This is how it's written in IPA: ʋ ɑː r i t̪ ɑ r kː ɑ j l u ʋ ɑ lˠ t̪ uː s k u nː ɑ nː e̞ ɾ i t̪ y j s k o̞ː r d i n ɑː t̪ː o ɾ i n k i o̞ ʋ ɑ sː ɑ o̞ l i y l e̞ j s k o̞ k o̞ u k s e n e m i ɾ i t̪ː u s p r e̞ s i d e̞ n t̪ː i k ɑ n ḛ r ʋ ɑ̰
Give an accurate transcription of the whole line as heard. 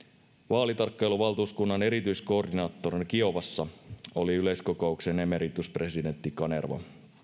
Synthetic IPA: ʋ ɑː l i t̪ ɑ r kː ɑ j l u ʋ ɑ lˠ t̪ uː s k u nː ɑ n e̞ ɾ i t̪ y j s k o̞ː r d i n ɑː t̪ː o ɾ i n k i o̞ ʋ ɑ sː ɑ o̞ l i y l e̞ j s k o̞ k o̞ u k s e n e m e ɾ i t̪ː u s p r e̞ s i d e̞ n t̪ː i k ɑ n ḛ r ʋ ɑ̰